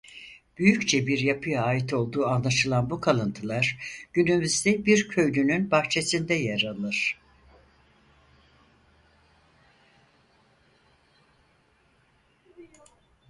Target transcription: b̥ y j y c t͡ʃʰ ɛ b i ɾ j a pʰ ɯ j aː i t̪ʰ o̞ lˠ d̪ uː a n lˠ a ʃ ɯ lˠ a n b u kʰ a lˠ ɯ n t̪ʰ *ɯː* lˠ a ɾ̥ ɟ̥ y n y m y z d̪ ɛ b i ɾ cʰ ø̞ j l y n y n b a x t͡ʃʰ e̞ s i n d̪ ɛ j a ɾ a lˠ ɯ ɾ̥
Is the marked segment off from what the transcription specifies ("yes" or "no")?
yes